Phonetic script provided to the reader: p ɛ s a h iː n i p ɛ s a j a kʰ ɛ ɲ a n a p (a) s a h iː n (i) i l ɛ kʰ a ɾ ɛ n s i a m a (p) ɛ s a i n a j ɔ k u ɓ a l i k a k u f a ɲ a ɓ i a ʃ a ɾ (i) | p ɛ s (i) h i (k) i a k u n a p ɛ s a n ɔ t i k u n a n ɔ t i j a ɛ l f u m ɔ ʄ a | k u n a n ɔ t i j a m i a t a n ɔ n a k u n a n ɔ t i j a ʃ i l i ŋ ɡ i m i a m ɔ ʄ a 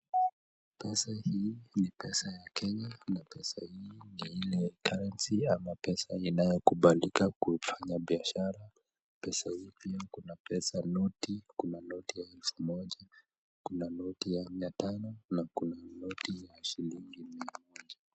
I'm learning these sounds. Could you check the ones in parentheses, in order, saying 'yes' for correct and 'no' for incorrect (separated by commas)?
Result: no, yes, yes, no, no, no